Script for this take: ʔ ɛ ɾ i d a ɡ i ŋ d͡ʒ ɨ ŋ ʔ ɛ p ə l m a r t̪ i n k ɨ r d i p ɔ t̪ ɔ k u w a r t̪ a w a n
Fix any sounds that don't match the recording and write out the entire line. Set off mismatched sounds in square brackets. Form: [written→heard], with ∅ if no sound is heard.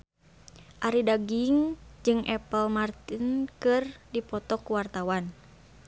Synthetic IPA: ʔ [ɛ→a] ɾ i d a ɡ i ŋ d͡ʒ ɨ ŋ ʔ ɛ p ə l m a r t̪ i n k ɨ r d i p ɔ t̪ ɔ k u w a r t̪ a w a n